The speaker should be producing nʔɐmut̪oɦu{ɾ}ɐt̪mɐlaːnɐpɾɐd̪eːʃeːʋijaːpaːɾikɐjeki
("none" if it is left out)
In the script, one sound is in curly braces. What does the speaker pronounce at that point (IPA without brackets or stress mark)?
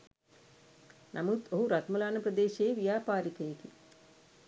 ɾ